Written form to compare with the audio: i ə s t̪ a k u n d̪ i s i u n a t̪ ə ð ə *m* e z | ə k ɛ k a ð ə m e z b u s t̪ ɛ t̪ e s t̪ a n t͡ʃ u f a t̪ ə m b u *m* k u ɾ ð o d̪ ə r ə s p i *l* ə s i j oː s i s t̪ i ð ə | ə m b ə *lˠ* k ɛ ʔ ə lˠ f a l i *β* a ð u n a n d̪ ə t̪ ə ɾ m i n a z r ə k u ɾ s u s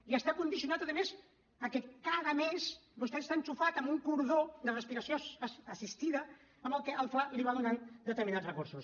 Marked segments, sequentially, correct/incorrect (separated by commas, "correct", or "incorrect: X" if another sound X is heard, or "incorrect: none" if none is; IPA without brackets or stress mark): correct, incorrect: ŋ, incorrect: ɾ, correct, correct